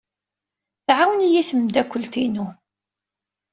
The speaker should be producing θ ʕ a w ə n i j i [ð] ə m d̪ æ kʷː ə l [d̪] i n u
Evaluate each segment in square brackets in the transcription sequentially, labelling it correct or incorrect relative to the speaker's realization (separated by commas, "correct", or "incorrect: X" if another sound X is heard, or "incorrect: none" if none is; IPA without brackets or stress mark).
incorrect: θ, incorrect: t̪